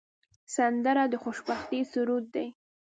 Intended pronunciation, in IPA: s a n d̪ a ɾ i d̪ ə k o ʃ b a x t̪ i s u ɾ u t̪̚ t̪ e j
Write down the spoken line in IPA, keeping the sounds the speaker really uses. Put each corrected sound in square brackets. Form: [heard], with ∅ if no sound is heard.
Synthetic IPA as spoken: s a n d̪ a ɾ [a] d̪ ə [x] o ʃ b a x t̪ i s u ɾ u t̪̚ [d̪] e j